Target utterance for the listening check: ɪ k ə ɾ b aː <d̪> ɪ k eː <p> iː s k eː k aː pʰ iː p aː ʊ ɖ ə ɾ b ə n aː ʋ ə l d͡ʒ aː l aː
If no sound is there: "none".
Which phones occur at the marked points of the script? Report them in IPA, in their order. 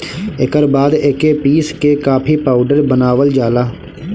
d̪, p

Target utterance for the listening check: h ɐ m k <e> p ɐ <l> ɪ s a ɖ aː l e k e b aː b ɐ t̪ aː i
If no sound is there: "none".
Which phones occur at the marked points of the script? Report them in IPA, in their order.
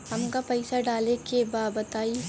a, none

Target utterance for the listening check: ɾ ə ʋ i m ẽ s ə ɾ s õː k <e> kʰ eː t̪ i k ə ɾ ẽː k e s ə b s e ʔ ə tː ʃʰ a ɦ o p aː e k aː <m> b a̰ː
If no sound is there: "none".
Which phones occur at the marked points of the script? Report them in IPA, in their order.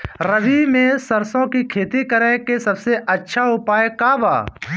i, none

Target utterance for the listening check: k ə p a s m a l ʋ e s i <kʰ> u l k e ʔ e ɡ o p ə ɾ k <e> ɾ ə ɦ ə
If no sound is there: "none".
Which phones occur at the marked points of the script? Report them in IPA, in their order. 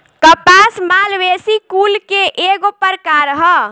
k, a

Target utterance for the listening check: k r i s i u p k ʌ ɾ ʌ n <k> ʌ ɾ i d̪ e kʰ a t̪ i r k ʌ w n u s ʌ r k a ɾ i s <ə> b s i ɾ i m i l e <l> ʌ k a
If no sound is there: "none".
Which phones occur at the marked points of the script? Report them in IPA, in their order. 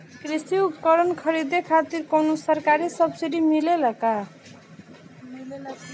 kʰ, ʌ, l

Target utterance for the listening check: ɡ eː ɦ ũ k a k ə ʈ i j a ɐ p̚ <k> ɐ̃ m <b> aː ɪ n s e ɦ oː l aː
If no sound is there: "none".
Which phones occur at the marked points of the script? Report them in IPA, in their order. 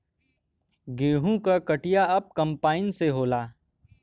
k, p

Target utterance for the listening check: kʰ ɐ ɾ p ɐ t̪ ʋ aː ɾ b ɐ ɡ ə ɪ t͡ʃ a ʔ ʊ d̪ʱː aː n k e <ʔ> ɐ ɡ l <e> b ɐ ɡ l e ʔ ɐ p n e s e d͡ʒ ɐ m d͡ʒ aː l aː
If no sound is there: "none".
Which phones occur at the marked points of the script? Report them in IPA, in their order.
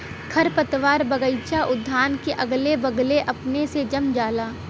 ʔ, e

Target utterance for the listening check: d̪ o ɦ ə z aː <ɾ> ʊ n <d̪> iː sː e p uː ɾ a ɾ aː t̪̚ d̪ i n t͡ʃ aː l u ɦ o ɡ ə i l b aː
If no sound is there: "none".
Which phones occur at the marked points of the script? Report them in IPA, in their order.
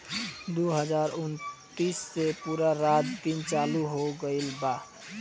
ɾ, t̪

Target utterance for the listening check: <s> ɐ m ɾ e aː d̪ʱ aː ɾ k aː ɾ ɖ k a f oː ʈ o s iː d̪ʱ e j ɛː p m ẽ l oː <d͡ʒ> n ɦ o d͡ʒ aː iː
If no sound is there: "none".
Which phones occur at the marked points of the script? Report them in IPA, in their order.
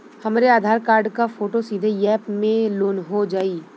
h, none

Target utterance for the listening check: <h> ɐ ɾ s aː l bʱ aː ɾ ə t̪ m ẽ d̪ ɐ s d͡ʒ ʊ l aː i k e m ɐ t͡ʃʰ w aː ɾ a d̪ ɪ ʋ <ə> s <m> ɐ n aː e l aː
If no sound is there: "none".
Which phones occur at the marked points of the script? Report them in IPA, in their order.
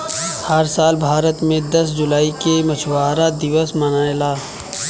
h, ə, m

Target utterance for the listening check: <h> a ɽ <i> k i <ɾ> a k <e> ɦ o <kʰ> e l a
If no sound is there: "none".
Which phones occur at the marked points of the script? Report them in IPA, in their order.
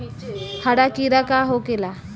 h, a, ɾ, a, k

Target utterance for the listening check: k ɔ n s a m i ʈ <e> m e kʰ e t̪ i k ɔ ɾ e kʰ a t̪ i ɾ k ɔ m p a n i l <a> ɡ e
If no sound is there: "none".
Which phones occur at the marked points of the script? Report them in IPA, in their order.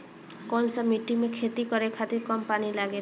i, a

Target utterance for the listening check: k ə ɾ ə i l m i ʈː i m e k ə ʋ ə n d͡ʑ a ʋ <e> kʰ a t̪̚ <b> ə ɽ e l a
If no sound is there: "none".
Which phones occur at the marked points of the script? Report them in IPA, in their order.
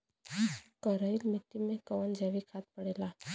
i, p

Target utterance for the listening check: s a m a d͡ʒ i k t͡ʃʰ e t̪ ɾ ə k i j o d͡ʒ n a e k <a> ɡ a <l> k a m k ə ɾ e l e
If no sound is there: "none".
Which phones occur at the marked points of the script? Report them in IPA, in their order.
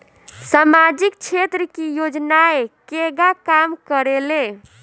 e, none

